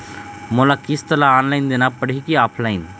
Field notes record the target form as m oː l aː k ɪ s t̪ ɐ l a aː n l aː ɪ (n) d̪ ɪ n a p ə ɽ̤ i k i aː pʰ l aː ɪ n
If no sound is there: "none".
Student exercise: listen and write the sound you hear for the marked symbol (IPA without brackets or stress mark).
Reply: n